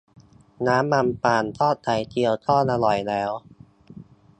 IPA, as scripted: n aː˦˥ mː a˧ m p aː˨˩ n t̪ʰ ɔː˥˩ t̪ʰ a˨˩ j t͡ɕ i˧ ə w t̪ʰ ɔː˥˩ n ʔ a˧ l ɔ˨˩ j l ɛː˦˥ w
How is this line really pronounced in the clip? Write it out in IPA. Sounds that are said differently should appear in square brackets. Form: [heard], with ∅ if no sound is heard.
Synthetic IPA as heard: n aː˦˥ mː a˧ m p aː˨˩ n t̪ʰ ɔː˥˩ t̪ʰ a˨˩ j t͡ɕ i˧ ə w t̪ʰ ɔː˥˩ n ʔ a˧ l ɔ˨˩ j l ɛː˦˥ w